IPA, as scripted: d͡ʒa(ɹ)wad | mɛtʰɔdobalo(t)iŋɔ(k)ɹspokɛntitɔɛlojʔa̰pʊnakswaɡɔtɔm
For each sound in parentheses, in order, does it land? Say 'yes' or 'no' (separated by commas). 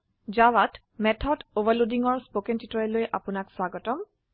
no, no, no